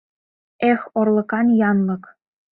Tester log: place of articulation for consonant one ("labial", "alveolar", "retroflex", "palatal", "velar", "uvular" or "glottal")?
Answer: velar